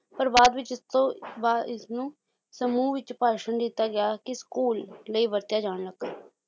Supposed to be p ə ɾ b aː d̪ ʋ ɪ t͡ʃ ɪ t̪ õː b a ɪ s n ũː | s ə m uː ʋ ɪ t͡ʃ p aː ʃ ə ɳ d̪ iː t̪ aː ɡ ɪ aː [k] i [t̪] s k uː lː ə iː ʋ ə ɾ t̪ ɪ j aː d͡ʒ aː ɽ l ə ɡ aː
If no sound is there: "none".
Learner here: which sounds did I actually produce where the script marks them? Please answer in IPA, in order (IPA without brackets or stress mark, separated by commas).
k, none